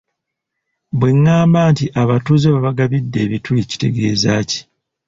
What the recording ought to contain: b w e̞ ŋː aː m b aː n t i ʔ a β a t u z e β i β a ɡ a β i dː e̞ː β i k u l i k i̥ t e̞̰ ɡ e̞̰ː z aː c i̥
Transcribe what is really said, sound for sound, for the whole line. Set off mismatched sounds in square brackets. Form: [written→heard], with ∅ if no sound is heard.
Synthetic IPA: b w e̞ ŋː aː m b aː n t i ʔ a β a t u z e β [i→a] β a ɡ a β i dː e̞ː β i [k→t] u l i [k→c] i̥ t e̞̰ ɡ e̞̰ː z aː c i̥